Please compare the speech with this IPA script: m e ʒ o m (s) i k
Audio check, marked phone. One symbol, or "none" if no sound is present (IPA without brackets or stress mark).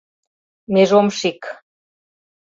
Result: ʃ